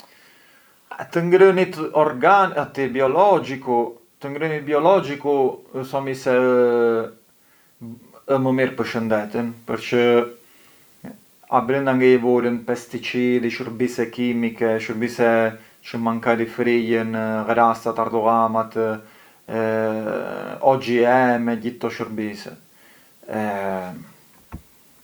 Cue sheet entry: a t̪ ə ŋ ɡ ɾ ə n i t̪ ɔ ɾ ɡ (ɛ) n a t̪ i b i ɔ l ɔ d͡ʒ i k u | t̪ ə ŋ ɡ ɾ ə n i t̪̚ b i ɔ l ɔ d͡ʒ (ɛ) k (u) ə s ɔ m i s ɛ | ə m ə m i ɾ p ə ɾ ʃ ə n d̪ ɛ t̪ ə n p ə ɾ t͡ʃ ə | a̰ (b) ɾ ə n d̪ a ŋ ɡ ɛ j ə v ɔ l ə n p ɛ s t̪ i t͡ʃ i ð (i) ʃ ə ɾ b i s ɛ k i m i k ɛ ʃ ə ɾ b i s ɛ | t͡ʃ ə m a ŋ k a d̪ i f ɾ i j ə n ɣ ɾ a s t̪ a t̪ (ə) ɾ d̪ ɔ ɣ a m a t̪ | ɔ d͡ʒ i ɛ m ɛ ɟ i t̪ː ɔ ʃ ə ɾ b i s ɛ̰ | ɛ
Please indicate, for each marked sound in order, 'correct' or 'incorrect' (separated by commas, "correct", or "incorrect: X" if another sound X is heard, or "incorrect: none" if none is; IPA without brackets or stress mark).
incorrect: a, incorrect: i, correct, correct, correct, incorrect: a